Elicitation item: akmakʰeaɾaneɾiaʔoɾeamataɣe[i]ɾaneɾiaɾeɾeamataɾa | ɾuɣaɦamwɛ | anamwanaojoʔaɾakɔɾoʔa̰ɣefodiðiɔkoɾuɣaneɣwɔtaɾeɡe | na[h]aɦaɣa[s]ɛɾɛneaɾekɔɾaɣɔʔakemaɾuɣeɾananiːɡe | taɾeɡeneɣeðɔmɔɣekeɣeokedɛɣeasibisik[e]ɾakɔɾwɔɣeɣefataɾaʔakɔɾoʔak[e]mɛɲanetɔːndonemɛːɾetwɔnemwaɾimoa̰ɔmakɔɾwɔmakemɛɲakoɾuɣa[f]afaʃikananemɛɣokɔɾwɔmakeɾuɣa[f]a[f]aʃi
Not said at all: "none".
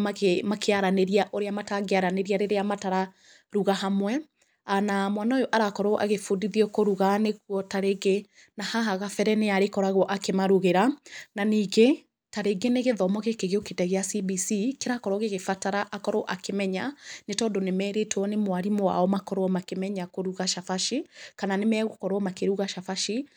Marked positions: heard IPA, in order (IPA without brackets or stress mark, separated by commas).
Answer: a, h, f, e, e, ʃ, ʃ, f